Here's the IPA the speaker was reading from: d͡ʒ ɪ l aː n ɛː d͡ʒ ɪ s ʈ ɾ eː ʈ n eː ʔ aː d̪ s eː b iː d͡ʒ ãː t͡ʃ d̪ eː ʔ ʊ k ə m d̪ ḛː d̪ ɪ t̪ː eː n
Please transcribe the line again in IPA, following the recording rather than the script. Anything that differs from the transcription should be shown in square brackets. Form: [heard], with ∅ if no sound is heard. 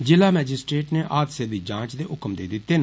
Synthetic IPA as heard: d͡ʒ ɪ l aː [m] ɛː d͡ʒ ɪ s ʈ ɾ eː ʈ n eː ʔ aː d̪ s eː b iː d͡ʒ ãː t͡ʃ d̪ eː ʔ ʊ k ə m d̪ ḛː d̪ ɪ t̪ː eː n